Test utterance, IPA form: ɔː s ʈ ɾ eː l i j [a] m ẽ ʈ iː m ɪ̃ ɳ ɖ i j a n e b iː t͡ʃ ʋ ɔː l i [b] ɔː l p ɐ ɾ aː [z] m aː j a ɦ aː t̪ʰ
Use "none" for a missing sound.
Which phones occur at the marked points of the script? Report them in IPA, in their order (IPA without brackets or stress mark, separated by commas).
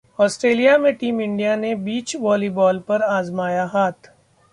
a, b, z